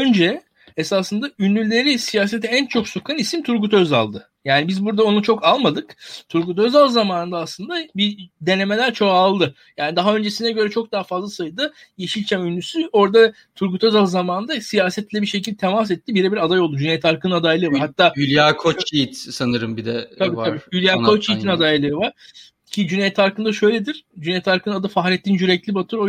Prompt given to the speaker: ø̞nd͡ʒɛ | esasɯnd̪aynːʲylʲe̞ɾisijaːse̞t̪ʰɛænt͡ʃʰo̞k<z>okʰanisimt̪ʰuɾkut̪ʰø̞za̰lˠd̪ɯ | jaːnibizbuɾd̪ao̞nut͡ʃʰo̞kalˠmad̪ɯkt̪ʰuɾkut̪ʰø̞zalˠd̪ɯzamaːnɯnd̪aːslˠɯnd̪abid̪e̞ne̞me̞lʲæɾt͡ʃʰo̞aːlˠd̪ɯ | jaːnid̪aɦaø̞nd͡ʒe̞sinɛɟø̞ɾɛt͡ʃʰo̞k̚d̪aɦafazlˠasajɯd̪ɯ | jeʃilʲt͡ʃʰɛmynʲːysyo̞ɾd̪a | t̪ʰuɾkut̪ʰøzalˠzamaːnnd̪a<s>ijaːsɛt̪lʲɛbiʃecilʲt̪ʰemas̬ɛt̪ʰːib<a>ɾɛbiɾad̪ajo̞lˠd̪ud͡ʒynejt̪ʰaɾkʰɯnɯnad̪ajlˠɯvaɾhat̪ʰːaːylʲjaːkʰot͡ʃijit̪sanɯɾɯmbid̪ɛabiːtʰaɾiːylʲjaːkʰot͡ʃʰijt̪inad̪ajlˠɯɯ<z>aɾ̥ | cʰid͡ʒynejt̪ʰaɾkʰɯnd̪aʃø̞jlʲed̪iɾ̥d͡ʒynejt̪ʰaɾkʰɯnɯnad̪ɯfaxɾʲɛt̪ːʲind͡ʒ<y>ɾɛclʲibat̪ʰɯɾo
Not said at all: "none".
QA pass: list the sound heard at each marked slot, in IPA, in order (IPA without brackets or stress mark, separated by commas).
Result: s, s, i, v, y